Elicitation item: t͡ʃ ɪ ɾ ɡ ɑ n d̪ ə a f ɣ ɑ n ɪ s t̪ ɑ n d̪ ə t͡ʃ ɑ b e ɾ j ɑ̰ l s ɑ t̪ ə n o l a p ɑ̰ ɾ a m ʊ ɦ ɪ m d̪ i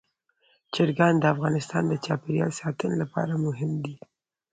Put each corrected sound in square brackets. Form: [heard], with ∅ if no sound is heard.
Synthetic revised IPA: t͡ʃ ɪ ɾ ɡ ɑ n d̪ ə a f ɣ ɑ n ɪ s t̪ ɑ n d̪ ə t͡ʃ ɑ [p] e ɾ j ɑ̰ l s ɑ t̪ ə n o l a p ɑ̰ ɾ a m ʊ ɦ ɪ m d̪ i